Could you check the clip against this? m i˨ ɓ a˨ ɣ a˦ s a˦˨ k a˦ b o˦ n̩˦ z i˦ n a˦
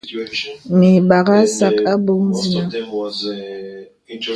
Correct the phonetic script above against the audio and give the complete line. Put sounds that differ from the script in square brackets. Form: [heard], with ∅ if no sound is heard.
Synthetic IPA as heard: m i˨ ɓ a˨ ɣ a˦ s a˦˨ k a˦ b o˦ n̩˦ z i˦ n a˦